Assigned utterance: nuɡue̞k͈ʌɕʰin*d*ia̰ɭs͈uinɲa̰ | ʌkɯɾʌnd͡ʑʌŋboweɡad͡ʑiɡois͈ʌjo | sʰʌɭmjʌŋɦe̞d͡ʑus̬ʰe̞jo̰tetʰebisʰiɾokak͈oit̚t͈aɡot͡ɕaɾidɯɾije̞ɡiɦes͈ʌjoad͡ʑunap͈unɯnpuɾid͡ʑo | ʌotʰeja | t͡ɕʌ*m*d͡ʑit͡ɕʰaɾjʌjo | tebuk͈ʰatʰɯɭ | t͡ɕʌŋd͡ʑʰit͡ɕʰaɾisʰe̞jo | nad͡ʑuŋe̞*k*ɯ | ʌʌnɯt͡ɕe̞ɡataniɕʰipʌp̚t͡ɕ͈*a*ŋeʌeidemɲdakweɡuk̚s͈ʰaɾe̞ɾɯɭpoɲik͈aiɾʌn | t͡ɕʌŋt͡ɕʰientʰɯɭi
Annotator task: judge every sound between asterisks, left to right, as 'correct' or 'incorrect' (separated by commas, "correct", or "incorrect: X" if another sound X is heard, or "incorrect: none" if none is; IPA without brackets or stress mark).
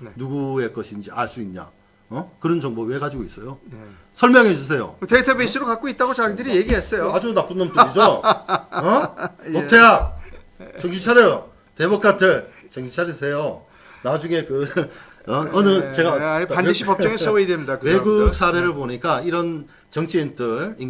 incorrect: d͡ʑ, incorrect: ŋ, correct, incorrect: ʌ